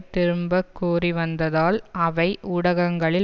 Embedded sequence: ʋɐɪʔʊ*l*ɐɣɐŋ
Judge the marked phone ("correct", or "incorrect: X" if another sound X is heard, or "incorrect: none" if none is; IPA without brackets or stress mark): incorrect: ɽ